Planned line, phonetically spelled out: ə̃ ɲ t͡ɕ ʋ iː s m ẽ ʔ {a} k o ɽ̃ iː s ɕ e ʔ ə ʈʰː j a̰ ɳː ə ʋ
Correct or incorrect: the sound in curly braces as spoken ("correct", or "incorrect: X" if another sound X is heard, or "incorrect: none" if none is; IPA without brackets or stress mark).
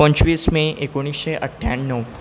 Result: incorrect: e